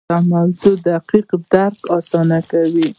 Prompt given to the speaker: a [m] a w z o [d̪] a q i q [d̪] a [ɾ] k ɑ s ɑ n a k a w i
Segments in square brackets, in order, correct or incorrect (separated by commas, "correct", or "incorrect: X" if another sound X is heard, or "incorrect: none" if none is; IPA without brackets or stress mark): correct, correct, correct, correct